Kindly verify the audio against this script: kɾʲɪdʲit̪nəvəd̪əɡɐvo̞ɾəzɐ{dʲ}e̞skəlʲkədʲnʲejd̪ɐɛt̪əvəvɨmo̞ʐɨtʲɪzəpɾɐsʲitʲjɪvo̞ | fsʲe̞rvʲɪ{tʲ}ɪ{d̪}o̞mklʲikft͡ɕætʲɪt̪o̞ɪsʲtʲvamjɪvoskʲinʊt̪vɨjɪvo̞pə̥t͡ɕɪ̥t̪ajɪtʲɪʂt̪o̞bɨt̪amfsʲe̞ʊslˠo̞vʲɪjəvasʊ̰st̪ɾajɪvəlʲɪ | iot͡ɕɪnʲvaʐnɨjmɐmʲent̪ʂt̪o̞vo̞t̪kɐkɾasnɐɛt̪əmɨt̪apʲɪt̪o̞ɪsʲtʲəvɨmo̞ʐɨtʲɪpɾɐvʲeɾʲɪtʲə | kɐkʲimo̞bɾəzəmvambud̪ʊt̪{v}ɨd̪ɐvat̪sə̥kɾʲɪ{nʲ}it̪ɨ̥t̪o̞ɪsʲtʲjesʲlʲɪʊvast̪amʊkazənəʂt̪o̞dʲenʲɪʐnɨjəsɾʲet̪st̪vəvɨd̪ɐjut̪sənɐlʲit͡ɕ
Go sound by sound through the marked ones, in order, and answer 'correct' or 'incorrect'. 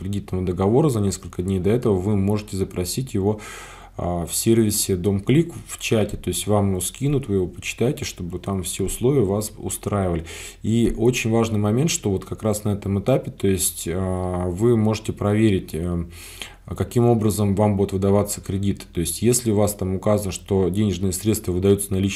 incorrect: nʲ, incorrect: sʲ, correct, correct, incorrect: dʲ

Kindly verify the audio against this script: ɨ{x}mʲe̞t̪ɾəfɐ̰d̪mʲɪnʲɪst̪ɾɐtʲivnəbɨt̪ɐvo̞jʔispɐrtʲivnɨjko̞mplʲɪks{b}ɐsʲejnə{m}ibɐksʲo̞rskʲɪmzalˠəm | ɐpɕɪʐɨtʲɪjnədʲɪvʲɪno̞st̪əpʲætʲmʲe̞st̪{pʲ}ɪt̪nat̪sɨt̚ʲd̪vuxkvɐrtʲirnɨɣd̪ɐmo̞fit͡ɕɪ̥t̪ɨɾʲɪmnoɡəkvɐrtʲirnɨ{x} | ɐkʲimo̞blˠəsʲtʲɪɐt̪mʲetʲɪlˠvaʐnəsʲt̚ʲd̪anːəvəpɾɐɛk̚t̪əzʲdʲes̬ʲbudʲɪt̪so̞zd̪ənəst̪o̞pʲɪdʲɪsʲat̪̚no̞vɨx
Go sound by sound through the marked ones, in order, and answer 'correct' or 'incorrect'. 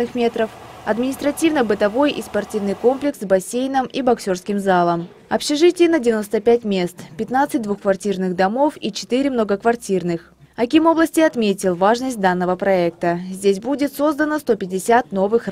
correct, correct, correct, correct, correct

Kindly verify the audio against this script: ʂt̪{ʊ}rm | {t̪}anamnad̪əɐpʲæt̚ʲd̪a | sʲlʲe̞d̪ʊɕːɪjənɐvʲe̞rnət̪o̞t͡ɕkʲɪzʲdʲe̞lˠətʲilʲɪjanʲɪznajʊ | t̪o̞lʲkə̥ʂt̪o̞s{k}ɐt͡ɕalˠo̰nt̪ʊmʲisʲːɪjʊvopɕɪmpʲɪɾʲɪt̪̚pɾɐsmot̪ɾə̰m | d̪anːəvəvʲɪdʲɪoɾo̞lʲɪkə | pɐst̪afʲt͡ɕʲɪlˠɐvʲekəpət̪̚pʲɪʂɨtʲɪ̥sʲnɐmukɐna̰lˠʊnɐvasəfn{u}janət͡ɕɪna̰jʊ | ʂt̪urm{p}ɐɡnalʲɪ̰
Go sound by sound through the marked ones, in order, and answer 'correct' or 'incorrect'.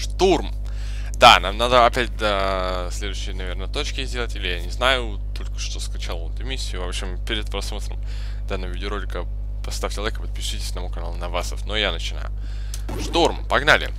incorrect: u, incorrect: d̪, correct, incorrect: o, correct

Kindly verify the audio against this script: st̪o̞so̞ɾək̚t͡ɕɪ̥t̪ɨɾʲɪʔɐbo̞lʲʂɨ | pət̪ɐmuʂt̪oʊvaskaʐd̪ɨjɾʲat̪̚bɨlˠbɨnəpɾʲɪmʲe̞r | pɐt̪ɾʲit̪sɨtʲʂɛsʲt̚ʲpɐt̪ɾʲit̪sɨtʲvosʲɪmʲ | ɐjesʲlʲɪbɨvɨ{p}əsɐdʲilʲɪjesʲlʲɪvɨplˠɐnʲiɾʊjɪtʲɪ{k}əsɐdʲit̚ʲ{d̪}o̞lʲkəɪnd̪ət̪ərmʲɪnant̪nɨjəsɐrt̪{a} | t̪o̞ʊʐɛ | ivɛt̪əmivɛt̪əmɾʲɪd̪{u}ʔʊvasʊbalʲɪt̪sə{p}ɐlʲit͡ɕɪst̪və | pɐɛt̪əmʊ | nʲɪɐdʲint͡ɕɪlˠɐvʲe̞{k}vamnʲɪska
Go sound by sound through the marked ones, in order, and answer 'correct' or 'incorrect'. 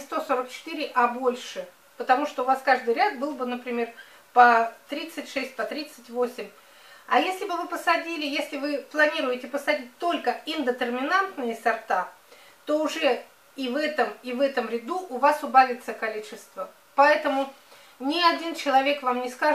correct, incorrect: p, incorrect: t̪, correct, correct, incorrect: k, correct

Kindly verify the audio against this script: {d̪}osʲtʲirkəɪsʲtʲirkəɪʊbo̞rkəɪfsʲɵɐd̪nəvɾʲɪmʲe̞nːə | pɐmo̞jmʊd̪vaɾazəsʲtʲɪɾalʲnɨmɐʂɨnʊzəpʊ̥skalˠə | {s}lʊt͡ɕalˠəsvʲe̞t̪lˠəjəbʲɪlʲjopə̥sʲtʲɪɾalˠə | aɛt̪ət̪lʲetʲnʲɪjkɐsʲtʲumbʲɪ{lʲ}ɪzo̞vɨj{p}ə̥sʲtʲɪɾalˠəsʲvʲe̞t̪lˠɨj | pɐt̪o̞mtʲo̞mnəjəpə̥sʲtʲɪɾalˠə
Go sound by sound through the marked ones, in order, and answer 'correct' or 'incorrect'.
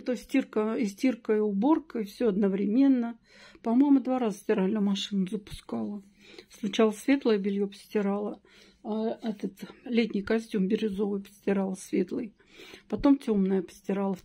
incorrect: t̪, correct, incorrect: ɾʲ, correct

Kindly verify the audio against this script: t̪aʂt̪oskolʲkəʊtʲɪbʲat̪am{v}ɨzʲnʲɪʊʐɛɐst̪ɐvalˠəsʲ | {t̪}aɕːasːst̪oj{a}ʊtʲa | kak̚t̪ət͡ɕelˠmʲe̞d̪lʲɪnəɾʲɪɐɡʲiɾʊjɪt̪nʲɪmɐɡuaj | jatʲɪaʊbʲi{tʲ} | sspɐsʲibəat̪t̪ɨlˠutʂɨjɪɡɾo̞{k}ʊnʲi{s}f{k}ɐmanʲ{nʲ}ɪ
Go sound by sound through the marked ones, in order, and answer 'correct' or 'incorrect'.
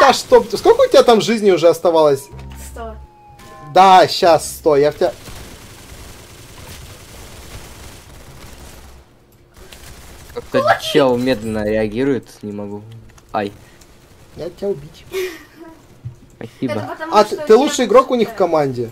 incorrect: ʐ, incorrect: d̪, correct, correct, correct, incorrect: x, correct, incorrect: dʲ

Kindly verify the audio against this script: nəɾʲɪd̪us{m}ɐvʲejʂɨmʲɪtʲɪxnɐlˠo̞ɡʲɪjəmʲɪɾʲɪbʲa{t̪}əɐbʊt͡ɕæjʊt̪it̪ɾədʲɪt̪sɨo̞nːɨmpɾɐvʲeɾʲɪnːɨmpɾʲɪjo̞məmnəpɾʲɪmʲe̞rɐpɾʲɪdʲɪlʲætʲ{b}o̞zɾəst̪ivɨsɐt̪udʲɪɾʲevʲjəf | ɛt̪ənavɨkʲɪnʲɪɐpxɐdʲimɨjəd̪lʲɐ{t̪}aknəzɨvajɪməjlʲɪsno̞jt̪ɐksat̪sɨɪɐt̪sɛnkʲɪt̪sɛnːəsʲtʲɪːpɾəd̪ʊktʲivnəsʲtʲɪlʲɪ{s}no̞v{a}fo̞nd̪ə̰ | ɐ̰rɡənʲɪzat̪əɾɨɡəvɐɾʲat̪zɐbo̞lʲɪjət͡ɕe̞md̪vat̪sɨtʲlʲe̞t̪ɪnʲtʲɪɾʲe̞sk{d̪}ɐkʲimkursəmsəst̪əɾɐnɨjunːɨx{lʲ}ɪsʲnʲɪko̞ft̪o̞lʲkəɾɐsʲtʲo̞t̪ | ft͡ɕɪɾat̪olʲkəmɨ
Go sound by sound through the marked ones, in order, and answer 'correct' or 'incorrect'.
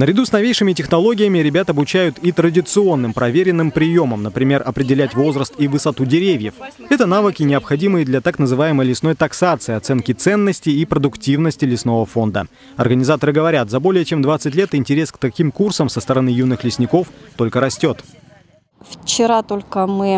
incorrect: n, correct, incorrect: v, correct, correct, incorrect: ə, incorrect: t̪, correct

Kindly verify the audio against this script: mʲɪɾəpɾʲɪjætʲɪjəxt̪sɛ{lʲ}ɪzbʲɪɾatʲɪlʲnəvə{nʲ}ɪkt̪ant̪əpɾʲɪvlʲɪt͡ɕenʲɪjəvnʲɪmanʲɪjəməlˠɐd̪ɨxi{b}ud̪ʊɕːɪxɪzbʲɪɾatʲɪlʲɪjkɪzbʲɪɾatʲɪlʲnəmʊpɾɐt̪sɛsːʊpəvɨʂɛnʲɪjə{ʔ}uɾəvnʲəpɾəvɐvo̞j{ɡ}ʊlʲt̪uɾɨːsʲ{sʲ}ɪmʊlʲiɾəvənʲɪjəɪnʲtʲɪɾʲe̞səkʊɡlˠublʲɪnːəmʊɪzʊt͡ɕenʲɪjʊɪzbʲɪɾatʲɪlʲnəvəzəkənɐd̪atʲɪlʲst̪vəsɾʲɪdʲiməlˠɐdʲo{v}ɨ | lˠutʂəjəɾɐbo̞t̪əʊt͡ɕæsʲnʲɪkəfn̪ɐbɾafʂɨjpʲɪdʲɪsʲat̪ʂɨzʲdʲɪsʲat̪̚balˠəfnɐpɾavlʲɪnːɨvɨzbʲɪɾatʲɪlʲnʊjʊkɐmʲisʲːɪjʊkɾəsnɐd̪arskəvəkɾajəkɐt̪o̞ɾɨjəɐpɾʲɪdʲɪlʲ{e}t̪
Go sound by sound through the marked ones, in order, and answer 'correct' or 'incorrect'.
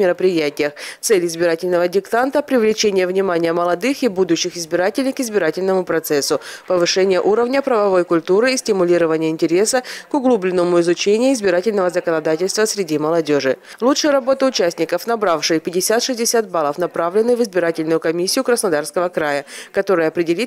correct, incorrect: dʲ, correct, correct, incorrect: k, incorrect: tʲ, incorrect: ʐ, incorrect: i

